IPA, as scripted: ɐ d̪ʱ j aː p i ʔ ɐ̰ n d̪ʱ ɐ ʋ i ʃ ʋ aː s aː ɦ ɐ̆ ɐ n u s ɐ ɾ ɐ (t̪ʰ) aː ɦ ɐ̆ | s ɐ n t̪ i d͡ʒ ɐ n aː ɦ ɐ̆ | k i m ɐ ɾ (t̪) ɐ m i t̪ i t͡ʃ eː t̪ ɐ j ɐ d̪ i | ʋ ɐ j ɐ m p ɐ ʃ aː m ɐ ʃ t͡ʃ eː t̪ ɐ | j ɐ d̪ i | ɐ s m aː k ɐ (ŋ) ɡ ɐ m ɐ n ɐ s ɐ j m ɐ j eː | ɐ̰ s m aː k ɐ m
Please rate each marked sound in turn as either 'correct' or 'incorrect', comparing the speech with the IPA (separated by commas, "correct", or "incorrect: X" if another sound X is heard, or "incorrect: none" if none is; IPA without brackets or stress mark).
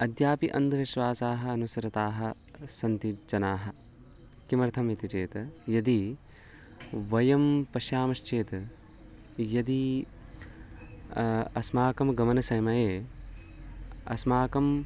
incorrect: t̪, incorrect: t̪ʰ, incorrect: m